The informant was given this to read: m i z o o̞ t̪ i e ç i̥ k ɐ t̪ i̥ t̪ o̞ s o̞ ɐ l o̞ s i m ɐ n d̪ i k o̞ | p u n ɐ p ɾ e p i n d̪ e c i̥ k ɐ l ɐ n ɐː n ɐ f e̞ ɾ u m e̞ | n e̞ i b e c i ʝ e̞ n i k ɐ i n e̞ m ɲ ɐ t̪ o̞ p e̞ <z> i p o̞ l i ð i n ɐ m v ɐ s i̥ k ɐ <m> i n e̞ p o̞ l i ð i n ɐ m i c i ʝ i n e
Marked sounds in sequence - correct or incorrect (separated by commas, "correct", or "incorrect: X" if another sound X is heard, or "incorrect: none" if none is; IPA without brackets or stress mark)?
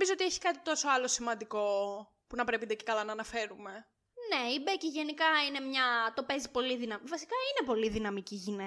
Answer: correct, incorrect: none